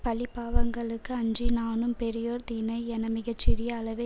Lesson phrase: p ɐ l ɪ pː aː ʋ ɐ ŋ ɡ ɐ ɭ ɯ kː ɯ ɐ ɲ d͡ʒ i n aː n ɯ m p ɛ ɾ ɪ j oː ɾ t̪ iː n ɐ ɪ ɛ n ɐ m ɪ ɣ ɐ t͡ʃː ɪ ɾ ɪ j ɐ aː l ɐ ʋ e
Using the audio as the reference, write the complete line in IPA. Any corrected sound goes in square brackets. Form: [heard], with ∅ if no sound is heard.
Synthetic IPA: p ɐ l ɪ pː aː ʋ ɐ ŋ ɡ ɐ ɭ ɯ kː ɯ ɐ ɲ d͡ʒ i n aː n ɯ m p ɛ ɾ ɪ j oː ɾ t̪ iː n ɐ ɪ ɛ n ɐ m ɪ ɣ ɐ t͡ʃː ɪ ɾ ɪ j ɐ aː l ɐ ʋ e

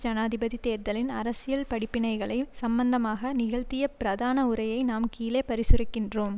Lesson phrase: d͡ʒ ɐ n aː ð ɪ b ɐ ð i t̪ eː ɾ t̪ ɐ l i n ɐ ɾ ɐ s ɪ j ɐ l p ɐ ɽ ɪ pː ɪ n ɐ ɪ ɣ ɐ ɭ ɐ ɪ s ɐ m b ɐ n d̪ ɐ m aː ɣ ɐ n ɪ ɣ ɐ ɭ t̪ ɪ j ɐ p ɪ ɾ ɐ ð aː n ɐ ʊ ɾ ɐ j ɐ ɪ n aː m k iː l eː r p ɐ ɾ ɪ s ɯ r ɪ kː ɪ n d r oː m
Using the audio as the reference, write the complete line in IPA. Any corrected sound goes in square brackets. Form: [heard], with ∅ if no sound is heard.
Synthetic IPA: d͡ʒ ɐ n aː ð ɪ b ɐ ð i t̪ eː ɾ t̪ ɐ l [ɪ] n ɐ ɾ ɐ s ɪ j ɐ l p ɐ ɽ ɪ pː ɪ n ɐ ɪ ɣ ɐ ɭ ɐ ɪ s ɐ m b ɐ n d̪ ɐ m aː ɣ ɐ n ɪ ɣ ɐ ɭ t̪ ɪ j ɐ p ɪ ɾ ɐ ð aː n ɐ ʊ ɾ ɐ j ɐ ɪ n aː m k iː l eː [∅] p ɐ ɾ ɪ s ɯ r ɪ kː ɪ n d r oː m

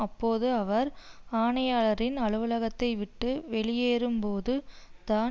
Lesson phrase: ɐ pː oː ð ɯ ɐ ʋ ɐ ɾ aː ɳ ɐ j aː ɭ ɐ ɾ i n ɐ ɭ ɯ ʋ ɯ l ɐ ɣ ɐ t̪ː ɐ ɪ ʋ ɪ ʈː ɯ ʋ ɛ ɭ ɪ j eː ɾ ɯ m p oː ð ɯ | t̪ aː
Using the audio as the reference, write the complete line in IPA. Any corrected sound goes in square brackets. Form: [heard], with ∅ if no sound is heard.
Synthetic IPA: ɐ pː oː ð ɯ ɐ ʋ ɐ ɾ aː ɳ ɐ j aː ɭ ɐ ɾ [ɪ] n ɐ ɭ ɯ ʋ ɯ l ɐ ɣ ɐ t̪ː ɐ ɪ ʋ ɪ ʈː ɯ ʋ ɛ ɭ ɪ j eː ɾ ɯ m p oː ð ɯ | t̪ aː

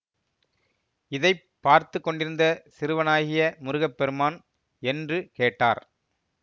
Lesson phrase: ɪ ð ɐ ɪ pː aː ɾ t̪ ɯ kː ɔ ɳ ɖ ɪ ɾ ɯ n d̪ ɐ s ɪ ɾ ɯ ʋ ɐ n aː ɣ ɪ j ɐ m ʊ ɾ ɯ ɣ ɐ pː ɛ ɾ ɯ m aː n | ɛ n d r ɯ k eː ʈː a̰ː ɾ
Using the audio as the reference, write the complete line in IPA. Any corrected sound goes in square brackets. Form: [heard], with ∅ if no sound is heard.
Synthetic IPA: ɪ ð ɐ ɪ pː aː ɾ t̪ ɯ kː ɔ ɳ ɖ ɪ ɾ ɯ n d̪ ɐ s ɪ ɾ ɯ ʋ ɐ n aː ɣ ɪ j ɐ m ʊ ɾ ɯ ɣ ɐ pː ɛ ɾ ɯ m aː n | ɛ n d r ɯ k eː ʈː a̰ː ɾ

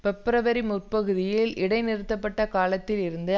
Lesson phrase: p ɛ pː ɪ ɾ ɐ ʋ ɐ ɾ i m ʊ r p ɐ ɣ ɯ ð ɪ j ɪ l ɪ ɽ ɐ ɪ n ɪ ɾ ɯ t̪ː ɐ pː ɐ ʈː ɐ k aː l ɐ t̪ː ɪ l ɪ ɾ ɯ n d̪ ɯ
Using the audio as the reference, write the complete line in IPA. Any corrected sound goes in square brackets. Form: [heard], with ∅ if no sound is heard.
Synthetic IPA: p ɛ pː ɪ ɾ ɐ ʋ ɐ ɾ i m ʊ r p ɐ ɣ ɯ ð ɪ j ɪ l ɪ ɽ ɐ ɪ n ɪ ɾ ɯ t̪ː ɐ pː ɐ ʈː ɐ k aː l ɐ t̪ː ɪ l ɪ ɾ ɯ n d̪ ɯ

